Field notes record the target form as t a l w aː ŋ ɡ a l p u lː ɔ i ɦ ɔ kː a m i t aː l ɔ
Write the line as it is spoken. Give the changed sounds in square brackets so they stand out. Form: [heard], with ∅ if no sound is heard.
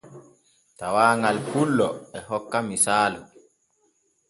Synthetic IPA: t a [∅] w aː ŋ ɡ a l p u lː ɔ [ɛ] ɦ ɔ kː a m i [s] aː l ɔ